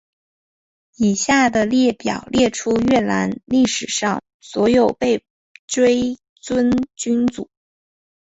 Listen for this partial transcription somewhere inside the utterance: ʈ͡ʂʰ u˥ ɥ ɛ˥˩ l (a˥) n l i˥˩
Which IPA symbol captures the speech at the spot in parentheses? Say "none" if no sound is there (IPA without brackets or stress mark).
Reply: a˧˥